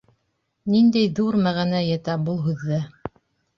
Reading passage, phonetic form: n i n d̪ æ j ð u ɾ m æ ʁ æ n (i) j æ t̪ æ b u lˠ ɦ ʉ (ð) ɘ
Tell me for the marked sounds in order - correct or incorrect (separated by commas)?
incorrect, incorrect